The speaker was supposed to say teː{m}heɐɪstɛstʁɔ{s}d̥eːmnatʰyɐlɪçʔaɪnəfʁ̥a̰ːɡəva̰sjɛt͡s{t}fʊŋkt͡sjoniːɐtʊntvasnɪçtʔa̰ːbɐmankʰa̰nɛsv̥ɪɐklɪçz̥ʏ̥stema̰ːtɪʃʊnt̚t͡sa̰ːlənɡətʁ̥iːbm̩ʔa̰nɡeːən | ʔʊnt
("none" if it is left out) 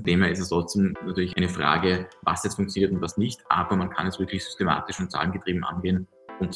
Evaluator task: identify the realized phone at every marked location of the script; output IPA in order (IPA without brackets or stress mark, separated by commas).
m, t͡s, t